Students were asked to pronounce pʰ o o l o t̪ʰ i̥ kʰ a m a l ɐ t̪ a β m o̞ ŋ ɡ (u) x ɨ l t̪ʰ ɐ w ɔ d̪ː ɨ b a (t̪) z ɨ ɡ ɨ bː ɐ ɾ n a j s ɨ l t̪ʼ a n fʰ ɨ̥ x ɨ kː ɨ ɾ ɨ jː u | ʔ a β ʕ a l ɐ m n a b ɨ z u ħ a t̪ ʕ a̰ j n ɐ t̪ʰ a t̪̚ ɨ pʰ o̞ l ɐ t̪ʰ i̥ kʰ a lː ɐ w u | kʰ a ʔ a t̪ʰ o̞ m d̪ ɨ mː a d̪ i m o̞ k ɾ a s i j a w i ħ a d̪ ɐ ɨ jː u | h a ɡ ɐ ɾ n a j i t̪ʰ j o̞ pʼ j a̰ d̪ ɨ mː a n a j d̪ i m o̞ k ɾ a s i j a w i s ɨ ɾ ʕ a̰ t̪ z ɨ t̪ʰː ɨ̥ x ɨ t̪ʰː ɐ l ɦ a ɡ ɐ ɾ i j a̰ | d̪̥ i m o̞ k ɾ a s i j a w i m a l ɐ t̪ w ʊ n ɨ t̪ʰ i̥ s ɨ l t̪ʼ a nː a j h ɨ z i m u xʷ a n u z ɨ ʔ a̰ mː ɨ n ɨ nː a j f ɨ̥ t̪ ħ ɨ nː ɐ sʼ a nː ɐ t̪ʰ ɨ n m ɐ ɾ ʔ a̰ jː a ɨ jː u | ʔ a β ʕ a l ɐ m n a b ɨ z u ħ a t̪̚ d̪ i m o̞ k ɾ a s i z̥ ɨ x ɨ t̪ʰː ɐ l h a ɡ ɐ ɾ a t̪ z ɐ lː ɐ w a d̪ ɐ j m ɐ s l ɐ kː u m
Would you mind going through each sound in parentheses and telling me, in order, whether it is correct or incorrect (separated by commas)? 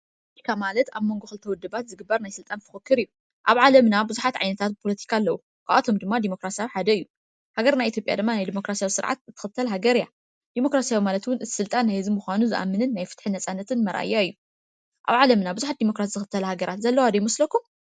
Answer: incorrect, correct